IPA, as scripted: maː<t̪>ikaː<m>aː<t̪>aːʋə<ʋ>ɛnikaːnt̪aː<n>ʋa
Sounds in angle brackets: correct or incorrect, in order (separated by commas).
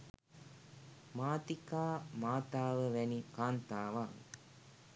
correct, correct, correct, correct, incorrect